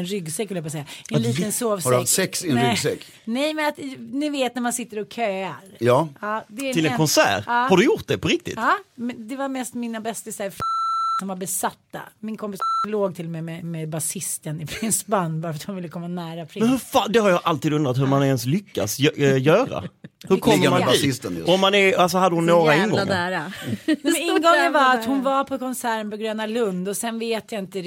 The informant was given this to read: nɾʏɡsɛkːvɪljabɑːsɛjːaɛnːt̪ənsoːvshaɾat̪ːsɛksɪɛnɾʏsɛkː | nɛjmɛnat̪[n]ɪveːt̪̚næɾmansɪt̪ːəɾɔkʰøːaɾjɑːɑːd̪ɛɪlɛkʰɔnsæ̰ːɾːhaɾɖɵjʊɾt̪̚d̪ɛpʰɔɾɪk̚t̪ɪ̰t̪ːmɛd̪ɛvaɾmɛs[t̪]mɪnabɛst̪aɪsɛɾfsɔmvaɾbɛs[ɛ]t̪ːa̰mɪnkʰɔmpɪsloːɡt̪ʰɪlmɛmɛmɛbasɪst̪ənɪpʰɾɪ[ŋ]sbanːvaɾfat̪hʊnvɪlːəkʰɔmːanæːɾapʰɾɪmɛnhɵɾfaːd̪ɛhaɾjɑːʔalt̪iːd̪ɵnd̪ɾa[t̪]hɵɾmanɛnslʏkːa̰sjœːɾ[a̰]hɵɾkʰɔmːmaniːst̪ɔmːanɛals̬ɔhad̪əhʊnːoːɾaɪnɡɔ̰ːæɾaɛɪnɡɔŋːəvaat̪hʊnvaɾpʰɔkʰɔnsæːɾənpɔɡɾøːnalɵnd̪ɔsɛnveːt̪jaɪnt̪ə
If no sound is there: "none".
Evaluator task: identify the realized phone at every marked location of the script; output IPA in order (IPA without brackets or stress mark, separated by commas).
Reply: n, t̪, a, n, t̪, a̰